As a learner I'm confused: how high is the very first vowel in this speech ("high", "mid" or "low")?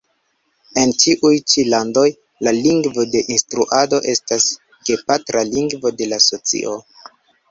mid